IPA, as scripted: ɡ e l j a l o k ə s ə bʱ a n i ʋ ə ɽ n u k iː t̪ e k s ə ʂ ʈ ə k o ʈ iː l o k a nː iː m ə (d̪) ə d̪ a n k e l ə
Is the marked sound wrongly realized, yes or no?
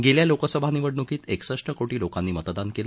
yes